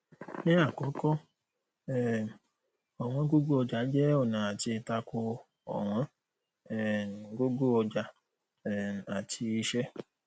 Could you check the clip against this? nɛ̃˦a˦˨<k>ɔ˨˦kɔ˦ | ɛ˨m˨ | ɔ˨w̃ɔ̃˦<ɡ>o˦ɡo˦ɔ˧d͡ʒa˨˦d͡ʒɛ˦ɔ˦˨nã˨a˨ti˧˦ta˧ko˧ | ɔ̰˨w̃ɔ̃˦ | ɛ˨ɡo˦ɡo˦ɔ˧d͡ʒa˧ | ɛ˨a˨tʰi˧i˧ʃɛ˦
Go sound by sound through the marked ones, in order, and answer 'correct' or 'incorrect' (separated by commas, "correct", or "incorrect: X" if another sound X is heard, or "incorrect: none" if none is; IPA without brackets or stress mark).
correct, correct